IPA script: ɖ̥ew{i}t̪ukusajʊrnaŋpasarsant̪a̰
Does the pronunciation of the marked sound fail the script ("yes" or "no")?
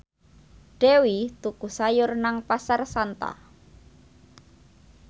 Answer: no